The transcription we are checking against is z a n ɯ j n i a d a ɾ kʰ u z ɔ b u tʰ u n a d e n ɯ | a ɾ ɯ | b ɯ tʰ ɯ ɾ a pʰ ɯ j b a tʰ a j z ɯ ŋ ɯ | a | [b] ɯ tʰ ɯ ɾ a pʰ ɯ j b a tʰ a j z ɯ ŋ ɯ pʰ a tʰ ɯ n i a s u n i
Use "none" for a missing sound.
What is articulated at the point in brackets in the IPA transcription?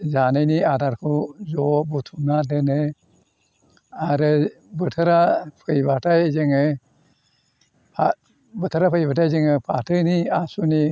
b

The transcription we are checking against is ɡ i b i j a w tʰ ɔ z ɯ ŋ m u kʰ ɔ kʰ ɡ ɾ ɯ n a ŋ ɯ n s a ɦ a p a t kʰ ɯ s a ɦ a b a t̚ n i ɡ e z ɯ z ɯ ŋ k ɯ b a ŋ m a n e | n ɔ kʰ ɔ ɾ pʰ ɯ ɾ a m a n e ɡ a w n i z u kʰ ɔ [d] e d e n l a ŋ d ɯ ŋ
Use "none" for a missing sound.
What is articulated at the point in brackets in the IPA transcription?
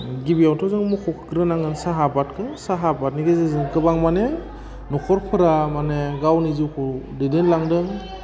d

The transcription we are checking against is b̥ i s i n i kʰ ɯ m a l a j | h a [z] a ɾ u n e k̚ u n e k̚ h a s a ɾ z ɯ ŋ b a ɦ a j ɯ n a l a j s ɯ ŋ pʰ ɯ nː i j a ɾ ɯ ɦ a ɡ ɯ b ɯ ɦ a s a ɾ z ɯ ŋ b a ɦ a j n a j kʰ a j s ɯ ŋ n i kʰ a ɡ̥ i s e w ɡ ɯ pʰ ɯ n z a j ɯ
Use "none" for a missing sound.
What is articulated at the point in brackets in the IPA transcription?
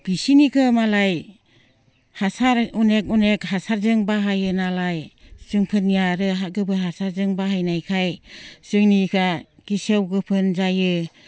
s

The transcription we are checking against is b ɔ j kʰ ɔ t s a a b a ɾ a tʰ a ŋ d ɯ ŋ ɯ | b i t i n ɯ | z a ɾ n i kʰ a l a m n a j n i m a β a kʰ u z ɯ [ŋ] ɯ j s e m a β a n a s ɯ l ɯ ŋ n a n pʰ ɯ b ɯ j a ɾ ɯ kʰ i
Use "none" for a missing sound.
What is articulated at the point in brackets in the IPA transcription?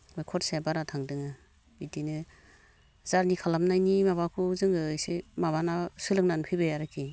ŋ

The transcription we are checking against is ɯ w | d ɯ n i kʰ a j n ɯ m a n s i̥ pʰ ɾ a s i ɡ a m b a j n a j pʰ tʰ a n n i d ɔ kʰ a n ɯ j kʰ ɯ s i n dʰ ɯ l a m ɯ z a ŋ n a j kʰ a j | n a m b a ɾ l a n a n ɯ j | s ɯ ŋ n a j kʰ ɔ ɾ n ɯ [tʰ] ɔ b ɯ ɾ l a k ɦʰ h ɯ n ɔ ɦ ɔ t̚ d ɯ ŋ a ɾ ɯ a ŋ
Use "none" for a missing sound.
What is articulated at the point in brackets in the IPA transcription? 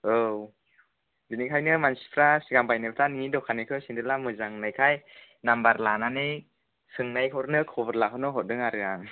kʰ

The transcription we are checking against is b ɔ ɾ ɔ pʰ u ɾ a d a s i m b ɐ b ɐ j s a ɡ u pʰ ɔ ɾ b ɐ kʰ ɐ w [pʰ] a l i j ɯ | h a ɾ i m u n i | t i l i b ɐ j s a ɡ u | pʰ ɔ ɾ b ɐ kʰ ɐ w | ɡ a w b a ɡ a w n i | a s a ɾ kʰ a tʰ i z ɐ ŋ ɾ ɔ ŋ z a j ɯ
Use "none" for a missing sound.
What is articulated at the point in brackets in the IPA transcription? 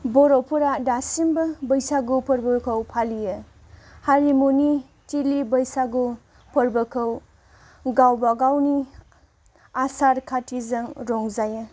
pʰ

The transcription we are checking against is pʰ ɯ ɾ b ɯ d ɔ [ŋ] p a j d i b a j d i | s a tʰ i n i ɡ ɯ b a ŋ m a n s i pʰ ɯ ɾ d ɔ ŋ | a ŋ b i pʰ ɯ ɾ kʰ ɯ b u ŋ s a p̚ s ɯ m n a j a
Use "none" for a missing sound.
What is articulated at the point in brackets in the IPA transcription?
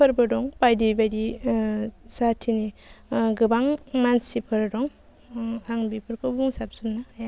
ŋ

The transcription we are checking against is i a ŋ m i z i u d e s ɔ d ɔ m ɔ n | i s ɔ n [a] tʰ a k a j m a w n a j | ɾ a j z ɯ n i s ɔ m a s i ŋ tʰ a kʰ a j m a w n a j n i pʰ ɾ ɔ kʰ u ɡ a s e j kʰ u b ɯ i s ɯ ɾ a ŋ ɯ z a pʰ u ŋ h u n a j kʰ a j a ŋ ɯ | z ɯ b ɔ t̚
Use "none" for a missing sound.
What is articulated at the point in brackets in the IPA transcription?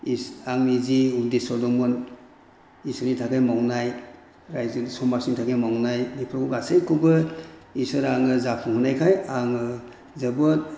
i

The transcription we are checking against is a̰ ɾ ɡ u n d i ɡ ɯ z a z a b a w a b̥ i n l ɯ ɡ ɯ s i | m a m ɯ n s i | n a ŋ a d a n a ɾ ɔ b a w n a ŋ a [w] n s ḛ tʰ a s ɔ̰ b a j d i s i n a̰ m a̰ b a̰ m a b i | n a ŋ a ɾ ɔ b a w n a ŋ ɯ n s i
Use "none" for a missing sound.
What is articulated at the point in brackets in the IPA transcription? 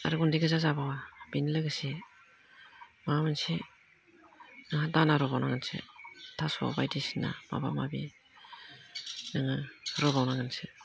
none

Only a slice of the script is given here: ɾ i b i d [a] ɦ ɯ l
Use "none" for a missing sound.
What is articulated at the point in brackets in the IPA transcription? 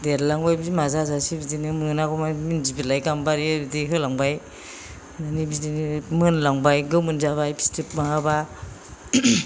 i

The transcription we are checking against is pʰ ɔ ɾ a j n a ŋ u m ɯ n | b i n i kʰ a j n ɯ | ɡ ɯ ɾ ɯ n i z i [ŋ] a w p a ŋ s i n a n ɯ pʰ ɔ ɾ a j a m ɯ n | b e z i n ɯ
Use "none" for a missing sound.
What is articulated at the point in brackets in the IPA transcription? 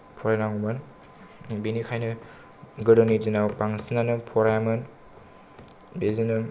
n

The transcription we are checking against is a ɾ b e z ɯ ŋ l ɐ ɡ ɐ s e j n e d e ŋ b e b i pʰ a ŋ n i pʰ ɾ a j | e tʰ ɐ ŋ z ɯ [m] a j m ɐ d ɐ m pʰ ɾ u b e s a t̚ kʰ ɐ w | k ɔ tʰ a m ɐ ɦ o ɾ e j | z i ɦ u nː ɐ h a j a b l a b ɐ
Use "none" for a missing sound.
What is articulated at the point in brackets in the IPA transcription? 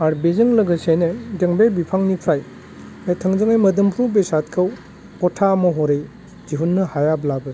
ŋ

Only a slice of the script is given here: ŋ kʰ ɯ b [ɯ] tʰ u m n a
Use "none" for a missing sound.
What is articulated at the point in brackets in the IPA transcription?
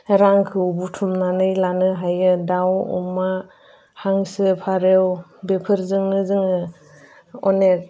u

